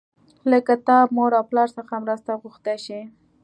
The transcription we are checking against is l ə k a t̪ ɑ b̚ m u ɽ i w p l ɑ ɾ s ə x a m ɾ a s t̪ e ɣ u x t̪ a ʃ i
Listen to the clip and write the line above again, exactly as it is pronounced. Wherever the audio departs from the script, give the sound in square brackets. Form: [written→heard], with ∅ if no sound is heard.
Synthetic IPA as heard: l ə k a t̪ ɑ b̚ m [u→o] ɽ [i→a] w p l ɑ ɾ s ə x a m ɾ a s t̪ [e→a] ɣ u x t̪ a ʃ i